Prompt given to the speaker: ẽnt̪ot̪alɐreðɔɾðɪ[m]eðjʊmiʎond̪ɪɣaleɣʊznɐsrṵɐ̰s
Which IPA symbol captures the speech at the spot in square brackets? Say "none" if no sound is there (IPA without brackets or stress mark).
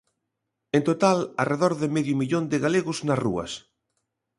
m